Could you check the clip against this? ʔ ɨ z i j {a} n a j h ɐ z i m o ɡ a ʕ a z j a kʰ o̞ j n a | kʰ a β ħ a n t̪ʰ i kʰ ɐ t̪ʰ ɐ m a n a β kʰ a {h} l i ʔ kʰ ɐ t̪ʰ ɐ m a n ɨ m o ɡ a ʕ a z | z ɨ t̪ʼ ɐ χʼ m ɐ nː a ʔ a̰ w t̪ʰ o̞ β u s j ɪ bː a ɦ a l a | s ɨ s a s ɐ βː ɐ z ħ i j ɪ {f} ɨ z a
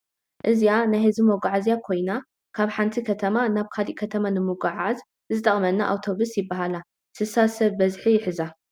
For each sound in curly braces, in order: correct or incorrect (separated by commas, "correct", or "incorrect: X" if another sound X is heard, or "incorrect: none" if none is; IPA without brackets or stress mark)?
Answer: correct, incorrect: none, incorrect: ħ